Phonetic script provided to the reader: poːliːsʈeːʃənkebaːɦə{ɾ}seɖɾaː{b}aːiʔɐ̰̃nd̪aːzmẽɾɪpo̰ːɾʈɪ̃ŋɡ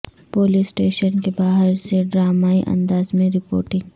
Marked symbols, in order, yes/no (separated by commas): yes, no